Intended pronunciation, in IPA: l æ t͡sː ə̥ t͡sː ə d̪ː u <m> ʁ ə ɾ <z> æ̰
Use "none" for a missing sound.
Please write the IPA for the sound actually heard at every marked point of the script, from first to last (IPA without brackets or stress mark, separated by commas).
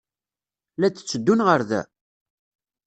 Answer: n, ð